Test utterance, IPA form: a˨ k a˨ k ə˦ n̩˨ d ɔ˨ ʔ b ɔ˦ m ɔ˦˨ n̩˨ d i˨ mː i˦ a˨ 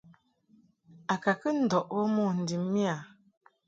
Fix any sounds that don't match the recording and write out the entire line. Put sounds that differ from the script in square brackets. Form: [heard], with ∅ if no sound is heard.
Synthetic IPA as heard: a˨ k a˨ k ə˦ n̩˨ d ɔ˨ ʔ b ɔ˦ m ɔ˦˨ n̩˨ d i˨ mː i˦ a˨